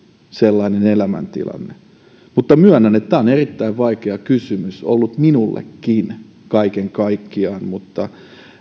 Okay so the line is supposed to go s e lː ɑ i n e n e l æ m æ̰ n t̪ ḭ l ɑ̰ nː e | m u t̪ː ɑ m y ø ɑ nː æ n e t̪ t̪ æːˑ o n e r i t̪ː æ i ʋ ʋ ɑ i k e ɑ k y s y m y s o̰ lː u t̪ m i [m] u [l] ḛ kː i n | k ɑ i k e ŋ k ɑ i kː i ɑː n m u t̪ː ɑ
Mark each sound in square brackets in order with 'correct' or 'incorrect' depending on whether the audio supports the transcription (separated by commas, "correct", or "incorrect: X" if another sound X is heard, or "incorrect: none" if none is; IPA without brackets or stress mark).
incorrect: n, incorrect: lː